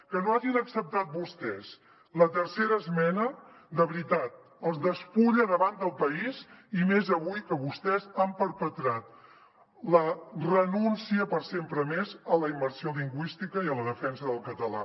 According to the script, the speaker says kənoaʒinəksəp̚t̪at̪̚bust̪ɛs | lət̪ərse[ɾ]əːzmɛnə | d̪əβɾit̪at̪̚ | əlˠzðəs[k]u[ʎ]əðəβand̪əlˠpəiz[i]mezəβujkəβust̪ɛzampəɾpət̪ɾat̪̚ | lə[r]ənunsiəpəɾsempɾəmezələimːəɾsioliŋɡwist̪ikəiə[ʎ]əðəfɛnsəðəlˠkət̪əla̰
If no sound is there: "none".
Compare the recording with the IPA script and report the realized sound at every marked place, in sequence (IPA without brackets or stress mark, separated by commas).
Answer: ɾ, p, ʎ, i, r, l